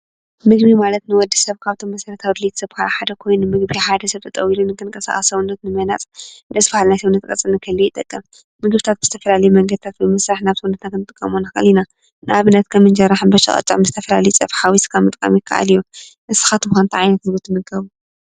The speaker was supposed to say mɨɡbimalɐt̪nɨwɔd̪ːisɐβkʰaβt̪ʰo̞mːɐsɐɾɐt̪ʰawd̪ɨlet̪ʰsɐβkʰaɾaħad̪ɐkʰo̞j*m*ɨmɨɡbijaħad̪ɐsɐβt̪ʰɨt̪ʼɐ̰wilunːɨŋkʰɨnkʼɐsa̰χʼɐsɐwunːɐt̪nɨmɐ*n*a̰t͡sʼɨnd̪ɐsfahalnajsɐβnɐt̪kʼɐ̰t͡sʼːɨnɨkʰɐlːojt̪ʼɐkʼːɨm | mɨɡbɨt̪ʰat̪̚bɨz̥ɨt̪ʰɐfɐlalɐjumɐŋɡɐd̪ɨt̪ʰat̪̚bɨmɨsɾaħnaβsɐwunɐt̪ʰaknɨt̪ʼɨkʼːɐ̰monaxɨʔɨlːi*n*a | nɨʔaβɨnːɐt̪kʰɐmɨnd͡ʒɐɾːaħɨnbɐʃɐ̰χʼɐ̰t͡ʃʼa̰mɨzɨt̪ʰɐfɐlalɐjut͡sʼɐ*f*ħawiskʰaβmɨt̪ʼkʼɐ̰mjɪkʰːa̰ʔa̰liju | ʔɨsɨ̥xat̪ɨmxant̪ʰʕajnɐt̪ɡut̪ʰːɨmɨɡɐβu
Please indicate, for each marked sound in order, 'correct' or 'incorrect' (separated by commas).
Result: incorrect, correct, correct, correct